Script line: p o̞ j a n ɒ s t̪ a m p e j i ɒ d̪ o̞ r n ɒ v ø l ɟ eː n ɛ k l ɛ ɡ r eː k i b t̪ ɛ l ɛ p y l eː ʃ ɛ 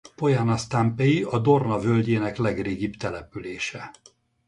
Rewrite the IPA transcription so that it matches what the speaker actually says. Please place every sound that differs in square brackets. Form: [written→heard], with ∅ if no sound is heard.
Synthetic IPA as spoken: p o̞ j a n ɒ s t̪ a m p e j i ɒ d̪ o̞ r n ɒ v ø l ɟ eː n ɛ k l ɛ ɡ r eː [k→ɡ] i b t̪ ɛ l ɛ p y l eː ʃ ɛ